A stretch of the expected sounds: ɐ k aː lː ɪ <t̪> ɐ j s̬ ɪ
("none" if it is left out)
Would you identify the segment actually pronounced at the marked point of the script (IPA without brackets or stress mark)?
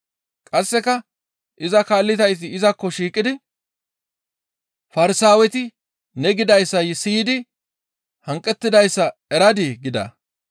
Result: t̪